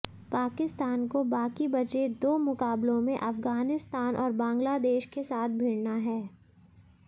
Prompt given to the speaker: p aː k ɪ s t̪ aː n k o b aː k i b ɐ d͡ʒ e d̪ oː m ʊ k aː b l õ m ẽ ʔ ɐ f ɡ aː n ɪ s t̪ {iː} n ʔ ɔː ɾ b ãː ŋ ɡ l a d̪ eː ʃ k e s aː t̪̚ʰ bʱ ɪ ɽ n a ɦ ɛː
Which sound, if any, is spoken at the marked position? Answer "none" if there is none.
aː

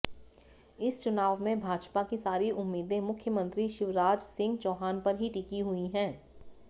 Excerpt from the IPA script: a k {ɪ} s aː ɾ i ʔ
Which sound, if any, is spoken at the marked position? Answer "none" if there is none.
i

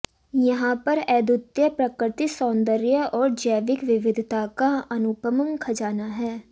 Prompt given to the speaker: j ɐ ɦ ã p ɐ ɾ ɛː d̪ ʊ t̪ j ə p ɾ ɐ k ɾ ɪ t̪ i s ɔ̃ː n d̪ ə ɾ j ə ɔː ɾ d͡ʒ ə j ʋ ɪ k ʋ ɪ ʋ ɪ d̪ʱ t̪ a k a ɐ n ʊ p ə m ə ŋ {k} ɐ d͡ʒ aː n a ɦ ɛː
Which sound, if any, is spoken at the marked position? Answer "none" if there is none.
kʰ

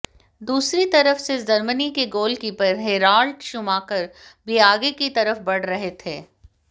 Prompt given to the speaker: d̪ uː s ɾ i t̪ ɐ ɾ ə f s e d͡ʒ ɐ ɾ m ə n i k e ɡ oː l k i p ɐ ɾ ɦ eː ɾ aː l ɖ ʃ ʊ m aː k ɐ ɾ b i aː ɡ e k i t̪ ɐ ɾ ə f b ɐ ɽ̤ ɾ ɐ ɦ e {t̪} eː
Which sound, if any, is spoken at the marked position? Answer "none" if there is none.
t̪ʰ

